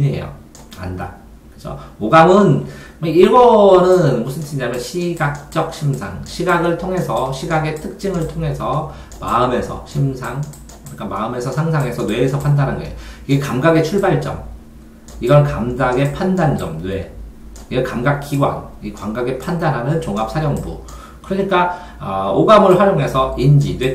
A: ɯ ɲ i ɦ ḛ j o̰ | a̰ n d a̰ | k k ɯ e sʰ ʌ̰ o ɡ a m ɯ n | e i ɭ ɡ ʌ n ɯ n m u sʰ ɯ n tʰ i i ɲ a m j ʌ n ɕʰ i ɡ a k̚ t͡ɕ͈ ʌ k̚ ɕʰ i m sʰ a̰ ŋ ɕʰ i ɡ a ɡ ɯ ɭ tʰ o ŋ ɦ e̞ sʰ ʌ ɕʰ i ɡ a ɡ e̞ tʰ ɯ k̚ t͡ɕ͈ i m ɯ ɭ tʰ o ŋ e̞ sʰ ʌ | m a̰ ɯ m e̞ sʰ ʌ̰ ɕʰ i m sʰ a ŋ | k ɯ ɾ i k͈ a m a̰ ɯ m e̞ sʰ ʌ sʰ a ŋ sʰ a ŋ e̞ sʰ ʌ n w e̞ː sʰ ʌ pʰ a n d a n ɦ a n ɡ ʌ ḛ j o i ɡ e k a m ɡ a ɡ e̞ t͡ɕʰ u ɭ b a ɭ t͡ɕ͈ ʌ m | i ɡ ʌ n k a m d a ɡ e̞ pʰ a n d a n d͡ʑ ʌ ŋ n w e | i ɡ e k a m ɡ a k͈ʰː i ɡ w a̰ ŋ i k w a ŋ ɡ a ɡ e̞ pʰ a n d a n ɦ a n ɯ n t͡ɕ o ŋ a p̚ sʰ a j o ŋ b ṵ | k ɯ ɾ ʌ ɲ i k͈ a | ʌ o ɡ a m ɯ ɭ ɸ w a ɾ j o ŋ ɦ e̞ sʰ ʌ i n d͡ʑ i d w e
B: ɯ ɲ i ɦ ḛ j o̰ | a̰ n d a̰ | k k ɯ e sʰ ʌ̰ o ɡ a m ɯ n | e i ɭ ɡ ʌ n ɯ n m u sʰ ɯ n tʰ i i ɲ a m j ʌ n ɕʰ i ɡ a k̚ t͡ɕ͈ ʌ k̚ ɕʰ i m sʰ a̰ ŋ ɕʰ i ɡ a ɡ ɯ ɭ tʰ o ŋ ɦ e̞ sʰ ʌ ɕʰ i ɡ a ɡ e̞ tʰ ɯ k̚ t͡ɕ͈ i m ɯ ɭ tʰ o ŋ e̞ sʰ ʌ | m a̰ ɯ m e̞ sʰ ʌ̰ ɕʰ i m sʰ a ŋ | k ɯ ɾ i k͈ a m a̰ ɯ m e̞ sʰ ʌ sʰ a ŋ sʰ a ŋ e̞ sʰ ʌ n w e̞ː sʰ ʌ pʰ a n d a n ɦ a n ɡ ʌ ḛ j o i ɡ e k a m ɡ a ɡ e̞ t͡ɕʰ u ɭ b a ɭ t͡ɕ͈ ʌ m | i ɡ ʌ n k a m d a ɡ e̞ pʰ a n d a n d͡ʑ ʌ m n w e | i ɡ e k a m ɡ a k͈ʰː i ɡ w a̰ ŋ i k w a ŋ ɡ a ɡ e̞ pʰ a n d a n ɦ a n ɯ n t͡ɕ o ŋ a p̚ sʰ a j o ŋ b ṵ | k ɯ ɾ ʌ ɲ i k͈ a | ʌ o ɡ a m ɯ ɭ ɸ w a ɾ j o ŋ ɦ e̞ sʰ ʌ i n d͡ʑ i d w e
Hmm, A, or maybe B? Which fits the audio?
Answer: B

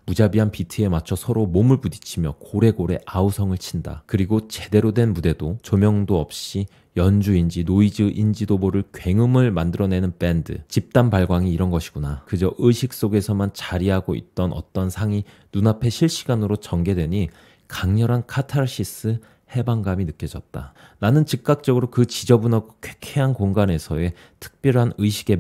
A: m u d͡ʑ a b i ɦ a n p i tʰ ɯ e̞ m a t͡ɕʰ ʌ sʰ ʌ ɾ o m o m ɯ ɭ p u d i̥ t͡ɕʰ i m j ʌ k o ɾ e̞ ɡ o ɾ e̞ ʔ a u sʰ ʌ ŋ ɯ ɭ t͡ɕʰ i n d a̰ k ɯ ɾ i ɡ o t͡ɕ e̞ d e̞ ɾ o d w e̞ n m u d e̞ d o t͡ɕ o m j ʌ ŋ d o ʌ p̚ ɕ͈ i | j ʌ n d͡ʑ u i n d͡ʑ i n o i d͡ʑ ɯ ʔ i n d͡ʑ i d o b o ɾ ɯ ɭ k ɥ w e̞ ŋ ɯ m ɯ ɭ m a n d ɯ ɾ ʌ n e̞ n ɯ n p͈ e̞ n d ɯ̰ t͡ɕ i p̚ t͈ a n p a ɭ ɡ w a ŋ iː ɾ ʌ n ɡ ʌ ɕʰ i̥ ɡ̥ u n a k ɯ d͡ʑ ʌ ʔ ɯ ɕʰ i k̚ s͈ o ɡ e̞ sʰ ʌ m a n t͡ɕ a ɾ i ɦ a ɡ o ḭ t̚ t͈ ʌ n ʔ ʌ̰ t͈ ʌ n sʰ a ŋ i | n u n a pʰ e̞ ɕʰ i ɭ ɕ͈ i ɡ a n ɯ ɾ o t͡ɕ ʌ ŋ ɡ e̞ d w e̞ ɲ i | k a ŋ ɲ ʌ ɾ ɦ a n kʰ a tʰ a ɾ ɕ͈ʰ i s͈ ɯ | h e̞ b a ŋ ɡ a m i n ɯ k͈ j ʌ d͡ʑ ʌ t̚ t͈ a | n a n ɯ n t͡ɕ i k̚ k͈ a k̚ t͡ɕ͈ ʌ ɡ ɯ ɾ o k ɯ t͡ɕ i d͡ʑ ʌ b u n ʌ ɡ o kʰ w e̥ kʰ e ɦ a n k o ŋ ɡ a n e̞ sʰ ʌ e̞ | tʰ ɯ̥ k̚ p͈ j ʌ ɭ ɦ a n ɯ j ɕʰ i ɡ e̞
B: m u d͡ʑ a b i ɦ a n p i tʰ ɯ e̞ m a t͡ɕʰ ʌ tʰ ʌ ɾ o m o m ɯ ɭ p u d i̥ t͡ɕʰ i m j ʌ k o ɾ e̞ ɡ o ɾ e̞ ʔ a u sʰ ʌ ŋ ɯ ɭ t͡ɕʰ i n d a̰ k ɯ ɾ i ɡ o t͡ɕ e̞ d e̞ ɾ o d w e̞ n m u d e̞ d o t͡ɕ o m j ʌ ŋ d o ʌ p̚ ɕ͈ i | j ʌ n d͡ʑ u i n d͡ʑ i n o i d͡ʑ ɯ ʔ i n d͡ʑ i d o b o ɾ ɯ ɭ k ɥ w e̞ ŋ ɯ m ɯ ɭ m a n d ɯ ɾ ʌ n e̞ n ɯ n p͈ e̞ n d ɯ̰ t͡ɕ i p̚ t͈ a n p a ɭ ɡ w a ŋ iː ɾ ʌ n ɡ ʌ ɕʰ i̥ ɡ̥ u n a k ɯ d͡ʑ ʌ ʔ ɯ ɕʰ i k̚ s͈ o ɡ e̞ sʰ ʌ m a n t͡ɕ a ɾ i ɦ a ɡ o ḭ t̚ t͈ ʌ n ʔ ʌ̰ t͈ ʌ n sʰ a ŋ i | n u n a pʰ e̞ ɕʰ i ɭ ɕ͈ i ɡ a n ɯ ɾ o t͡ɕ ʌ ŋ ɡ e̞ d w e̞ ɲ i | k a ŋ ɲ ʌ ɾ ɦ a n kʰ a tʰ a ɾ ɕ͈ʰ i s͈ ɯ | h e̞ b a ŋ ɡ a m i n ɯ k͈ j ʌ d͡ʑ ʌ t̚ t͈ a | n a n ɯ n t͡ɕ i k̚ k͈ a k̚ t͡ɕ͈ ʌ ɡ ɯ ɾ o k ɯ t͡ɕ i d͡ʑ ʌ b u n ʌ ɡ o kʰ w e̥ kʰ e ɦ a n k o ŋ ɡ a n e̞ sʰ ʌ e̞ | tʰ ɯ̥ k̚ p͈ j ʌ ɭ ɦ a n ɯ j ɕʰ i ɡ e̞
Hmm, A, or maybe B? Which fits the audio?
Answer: A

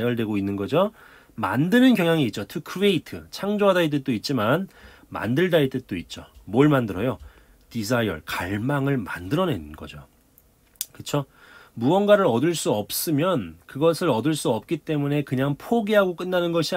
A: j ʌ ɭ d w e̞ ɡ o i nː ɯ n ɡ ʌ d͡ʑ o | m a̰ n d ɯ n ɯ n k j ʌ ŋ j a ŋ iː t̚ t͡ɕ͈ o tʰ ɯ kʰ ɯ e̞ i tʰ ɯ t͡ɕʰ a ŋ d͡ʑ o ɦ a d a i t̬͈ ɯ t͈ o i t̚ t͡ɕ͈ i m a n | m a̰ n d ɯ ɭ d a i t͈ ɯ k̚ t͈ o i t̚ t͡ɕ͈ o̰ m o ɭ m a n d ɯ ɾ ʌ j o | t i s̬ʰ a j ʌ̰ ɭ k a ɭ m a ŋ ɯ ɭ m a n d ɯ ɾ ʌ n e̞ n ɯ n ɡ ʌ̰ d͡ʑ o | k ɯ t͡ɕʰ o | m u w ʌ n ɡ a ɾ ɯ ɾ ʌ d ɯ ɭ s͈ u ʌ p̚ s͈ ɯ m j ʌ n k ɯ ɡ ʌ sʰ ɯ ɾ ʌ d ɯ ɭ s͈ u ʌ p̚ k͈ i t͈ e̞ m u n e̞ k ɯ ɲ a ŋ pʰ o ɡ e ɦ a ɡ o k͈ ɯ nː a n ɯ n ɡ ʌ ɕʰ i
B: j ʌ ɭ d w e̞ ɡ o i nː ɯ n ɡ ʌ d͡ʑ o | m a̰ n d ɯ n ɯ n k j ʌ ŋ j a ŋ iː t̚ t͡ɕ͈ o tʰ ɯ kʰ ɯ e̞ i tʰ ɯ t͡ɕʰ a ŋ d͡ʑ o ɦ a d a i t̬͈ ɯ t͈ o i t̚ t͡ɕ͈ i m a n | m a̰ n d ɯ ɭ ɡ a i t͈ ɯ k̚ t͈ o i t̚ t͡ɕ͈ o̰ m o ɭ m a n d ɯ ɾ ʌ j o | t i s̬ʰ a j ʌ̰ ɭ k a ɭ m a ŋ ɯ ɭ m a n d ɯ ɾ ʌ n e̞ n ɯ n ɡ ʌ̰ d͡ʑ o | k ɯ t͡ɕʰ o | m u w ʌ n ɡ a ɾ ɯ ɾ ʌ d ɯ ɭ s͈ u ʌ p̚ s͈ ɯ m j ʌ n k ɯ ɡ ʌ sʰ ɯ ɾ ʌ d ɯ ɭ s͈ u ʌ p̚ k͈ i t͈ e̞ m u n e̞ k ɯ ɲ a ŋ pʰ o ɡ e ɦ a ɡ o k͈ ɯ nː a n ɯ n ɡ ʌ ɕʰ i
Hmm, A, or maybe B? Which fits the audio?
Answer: A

